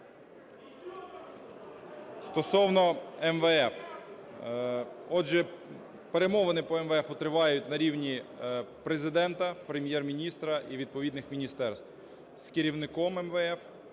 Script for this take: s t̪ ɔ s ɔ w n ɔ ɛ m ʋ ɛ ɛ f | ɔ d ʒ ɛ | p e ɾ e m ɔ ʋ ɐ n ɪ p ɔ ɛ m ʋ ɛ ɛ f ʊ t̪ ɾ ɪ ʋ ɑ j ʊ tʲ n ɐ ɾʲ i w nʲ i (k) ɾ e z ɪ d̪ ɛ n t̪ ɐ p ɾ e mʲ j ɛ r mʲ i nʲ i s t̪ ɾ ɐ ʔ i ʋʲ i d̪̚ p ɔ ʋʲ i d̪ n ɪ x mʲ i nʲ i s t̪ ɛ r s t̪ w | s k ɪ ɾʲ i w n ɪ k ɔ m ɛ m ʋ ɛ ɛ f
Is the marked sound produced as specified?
no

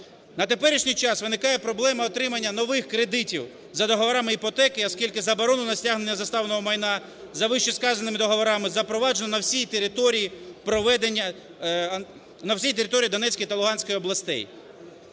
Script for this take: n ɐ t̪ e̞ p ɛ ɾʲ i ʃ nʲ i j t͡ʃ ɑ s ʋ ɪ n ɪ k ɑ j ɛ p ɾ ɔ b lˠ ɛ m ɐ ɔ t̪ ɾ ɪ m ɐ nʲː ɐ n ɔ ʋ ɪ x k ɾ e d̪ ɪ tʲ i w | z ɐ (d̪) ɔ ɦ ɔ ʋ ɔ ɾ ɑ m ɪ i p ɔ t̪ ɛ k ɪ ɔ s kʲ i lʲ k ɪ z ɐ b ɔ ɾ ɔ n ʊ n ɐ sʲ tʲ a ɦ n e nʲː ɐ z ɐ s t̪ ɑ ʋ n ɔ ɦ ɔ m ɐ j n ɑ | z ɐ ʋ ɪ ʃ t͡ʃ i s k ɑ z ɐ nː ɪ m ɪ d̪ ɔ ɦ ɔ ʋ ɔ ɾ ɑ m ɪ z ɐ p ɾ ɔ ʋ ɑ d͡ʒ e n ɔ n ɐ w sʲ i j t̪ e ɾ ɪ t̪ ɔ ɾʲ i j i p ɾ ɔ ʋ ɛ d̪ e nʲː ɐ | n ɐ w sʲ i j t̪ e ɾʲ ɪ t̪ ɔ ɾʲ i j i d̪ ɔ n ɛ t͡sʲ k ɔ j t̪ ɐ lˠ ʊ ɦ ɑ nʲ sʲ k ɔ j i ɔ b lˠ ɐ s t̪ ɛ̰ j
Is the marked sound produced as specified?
yes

